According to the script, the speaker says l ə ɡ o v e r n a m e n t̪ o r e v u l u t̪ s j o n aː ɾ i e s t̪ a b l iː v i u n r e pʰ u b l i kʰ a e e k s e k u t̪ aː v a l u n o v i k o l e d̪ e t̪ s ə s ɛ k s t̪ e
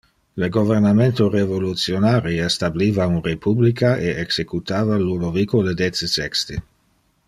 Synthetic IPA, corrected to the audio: l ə ɡ o v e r n a m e n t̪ o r e v o l u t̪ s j o n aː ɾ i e s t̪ a b l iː v a u n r e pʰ u b l i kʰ a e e k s e k u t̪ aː v a l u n o v i k o l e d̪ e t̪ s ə s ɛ k s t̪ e